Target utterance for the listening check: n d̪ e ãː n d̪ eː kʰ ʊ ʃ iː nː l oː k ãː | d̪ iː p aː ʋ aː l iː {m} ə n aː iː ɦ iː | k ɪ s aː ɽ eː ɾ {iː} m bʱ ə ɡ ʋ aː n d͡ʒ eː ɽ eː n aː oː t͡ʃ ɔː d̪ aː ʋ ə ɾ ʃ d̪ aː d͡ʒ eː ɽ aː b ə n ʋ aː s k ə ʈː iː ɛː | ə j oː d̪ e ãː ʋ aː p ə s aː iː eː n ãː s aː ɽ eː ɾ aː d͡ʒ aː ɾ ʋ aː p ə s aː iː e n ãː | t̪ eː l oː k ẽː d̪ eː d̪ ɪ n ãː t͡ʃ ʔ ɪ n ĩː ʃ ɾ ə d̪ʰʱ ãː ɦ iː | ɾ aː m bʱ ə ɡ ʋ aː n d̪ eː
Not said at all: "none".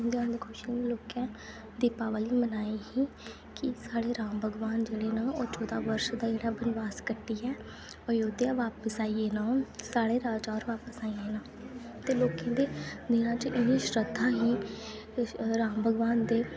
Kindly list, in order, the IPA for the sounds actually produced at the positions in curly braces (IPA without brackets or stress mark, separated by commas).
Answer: m, aː